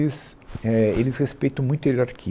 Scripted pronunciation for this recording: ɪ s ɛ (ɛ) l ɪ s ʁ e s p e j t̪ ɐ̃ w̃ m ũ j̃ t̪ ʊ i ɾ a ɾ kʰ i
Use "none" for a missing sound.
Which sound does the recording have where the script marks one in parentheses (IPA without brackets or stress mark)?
e